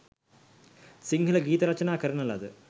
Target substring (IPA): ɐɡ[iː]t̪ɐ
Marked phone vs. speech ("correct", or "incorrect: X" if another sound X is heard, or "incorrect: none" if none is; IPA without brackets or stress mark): correct